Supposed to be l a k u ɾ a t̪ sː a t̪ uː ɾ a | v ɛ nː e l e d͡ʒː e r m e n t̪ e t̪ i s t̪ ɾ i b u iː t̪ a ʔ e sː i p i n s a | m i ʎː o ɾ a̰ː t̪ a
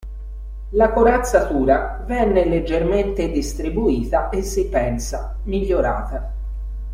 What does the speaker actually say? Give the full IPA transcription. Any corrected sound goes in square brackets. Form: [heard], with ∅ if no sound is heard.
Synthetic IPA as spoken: l a k [o] ɾ a t̪ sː a t̪ uː ɾ a | v ɛ nː e l e d͡ʒː e r m e n t̪ e [d̪] i s t̪ ɾ i b u iː t̪ a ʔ e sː i p [ɛ] n s a | m i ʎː o ɾ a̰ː t̪ a